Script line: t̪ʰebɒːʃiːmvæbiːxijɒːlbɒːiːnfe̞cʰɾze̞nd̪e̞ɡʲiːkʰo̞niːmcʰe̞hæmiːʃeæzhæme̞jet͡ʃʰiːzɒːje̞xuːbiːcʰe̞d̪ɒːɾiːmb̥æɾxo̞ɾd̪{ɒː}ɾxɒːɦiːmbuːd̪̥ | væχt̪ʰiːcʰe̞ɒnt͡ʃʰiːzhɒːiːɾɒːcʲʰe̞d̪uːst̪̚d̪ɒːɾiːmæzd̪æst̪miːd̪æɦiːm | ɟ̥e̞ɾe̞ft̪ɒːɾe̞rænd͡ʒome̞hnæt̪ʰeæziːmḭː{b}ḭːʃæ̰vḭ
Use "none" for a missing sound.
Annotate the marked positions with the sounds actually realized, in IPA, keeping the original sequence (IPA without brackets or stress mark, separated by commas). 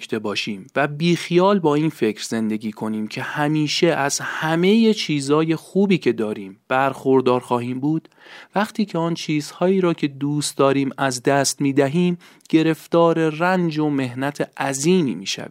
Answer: ɒː, m